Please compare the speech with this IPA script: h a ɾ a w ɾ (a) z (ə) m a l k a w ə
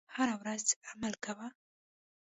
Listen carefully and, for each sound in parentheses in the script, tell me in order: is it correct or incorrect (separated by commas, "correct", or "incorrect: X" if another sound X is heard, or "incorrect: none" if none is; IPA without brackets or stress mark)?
correct, incorrect: a